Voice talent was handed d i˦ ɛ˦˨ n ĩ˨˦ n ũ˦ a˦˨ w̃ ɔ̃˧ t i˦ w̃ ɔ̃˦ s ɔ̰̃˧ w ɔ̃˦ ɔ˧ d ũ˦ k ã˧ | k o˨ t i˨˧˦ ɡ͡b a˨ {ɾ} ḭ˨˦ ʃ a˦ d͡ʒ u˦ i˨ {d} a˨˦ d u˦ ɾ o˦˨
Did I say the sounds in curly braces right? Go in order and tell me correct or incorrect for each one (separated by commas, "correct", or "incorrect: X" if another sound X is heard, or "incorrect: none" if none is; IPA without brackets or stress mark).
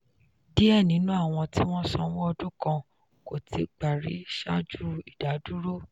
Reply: correct, correct